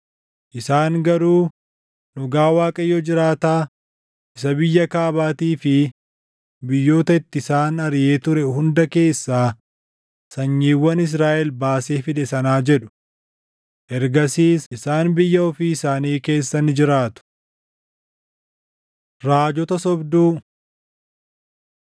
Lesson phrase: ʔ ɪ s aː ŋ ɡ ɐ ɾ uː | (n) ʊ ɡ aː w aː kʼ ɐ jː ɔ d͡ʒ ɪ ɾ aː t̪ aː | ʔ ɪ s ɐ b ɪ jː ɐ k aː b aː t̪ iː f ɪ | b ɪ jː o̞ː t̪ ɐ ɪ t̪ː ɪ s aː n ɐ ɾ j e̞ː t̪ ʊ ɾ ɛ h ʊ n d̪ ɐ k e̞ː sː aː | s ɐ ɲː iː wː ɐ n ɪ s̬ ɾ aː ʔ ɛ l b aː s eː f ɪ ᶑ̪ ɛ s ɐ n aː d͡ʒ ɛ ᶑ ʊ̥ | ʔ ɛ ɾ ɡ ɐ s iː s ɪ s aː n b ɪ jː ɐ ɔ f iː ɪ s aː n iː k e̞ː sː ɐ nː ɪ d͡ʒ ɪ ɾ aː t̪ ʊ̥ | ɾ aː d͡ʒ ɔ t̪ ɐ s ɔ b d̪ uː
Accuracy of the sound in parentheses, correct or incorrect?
correct